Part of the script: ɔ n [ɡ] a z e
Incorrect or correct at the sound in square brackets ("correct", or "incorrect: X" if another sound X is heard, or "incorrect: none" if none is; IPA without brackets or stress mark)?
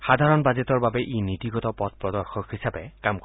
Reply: incorrect: b